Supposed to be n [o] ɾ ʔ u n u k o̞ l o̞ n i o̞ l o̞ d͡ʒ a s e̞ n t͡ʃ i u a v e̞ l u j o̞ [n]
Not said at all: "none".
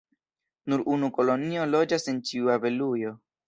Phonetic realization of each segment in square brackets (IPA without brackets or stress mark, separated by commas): u, none